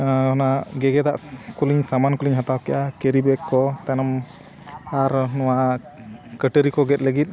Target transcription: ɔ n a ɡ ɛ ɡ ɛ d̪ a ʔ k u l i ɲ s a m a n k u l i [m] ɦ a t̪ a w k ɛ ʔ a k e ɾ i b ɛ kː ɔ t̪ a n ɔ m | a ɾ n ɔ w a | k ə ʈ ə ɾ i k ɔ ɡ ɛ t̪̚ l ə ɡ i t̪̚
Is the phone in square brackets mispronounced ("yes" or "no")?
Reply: yes